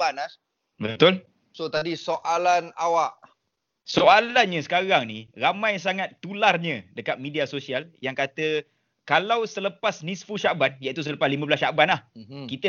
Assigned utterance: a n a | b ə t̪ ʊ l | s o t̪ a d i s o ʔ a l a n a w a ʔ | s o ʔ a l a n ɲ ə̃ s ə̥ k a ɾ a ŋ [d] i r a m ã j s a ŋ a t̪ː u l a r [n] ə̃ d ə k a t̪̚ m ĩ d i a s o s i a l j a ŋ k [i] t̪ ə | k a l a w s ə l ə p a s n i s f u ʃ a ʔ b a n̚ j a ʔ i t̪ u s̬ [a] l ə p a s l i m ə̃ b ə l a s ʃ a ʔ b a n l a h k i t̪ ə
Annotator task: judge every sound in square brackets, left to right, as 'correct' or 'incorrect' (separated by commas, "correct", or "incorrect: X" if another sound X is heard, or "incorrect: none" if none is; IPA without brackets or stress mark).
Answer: incorrect: n, incorrect: ɲ, incorrect: a, incorrect: ə